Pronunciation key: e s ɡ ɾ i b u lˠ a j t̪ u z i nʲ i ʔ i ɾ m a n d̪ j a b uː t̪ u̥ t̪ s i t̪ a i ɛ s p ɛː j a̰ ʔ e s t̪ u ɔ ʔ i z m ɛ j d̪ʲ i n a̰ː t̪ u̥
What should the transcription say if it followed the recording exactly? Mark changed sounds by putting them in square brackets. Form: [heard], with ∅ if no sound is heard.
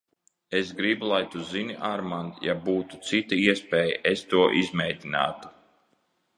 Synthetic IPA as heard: e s ɡ ɾ i b u lˠ a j t̪ u z i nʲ i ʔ [a] ɾ m a n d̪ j a b uː t̪ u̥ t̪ s i t̪ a i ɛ s p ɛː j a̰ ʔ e s t̪ u ɔ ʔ i z m ɛ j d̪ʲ i n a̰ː t̪ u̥